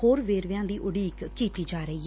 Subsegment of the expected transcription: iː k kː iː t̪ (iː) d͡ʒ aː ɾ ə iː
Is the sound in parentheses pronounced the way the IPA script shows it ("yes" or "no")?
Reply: yes